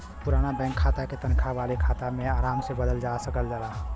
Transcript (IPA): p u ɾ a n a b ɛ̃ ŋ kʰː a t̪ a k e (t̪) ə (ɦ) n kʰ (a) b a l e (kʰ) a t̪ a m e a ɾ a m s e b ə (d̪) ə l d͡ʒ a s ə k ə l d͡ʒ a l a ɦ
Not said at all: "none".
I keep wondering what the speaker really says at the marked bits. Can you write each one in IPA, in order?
t̪, none, a, kʰ, d̪

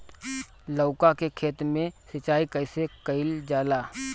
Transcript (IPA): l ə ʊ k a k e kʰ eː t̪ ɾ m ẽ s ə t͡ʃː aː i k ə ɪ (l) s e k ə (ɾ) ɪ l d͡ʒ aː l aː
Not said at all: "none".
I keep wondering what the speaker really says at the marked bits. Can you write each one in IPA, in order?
none, none

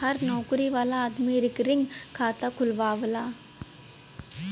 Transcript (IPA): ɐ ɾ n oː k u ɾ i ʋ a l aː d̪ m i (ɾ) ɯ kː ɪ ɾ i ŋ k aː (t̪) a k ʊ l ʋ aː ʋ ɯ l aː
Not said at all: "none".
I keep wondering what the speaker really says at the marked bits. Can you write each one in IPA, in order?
ɾ, t̪

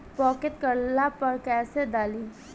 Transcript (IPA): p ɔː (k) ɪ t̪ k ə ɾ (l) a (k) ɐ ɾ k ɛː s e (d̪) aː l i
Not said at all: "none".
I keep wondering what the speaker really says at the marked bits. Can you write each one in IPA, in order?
k, l, p, d̪

